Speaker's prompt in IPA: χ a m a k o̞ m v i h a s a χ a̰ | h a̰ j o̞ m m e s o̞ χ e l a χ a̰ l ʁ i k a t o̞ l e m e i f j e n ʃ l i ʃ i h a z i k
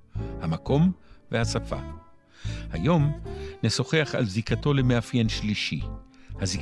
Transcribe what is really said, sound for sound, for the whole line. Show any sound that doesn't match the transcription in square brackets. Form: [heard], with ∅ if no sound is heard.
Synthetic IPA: [h] a m a k o̞ m v [e] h a s a [f] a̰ | h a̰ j o̞ m [n] e s o̞ χ e [∅] a χ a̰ l [z] i k a t o̞ l e m e [a] f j e n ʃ l i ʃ i h a z i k